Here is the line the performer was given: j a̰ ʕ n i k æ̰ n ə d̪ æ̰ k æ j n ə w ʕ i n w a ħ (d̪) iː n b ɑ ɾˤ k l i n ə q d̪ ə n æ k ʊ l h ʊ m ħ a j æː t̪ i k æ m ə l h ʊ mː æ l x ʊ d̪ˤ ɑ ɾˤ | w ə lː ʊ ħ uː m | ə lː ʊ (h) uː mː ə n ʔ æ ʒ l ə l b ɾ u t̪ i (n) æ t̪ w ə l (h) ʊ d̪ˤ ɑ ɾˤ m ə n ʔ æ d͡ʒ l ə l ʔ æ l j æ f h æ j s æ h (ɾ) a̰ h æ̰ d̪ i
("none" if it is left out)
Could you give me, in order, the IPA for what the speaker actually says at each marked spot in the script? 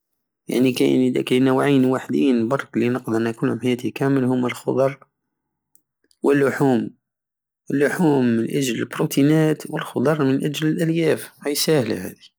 d̪, ħ, n, x, l

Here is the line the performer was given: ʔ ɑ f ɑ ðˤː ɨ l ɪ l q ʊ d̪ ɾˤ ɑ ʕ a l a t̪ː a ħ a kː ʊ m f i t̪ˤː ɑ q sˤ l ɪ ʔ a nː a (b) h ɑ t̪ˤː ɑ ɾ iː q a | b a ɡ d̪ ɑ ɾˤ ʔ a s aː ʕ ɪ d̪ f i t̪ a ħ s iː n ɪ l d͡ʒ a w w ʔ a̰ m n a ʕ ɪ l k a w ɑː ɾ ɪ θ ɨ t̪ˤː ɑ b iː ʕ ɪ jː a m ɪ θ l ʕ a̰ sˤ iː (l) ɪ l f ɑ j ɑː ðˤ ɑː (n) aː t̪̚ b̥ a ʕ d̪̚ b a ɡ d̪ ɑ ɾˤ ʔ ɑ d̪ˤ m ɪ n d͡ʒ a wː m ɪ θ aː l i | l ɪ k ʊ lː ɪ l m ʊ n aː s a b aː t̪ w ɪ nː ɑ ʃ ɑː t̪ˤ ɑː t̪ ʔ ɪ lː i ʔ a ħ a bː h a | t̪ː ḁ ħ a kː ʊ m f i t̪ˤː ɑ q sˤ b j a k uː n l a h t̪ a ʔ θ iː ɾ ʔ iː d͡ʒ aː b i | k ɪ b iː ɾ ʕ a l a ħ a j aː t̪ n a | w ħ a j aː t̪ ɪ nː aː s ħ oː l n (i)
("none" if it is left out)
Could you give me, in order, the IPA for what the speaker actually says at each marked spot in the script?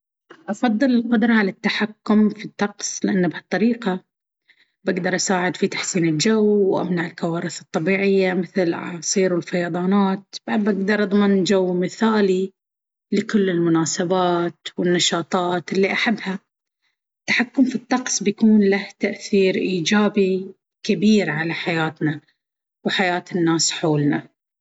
b, ɾ, n, a

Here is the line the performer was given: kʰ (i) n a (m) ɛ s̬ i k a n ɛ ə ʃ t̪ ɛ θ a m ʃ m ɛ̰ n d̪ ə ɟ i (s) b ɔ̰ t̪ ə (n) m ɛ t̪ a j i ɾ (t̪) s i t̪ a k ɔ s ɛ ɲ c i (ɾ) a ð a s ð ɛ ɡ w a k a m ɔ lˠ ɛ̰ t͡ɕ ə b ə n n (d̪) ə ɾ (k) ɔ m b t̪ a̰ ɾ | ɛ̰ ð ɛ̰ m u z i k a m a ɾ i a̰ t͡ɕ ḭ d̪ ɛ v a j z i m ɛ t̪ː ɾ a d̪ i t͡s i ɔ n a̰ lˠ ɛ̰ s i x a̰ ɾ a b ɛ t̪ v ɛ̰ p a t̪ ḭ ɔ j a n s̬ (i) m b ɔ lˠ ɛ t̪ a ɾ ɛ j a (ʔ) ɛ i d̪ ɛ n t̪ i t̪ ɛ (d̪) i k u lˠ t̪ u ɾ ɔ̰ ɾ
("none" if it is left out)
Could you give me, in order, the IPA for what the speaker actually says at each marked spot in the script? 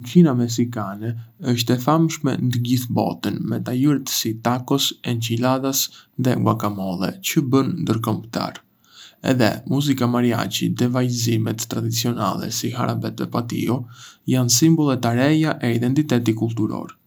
i, m, θ, n, t̪, l, d̪, k, i, ʔ, t̪

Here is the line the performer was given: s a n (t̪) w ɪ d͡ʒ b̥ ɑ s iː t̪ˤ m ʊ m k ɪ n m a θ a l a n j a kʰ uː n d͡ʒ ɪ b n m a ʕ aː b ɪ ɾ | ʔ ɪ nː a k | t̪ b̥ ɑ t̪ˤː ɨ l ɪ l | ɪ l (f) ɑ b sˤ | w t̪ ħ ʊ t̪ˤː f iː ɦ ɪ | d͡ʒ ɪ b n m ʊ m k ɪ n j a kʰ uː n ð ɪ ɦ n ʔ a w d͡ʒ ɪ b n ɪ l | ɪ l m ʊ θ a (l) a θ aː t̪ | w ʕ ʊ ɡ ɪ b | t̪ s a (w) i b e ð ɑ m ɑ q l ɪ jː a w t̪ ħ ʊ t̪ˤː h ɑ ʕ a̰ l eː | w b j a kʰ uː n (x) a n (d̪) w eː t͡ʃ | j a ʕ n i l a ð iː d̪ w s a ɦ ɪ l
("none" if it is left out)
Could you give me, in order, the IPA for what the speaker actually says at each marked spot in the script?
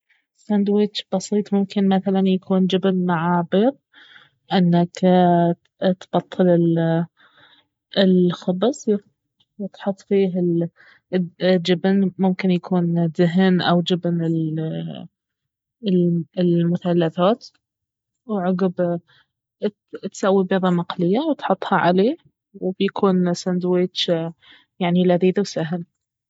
d̪, x, lː, wː, s, d̪

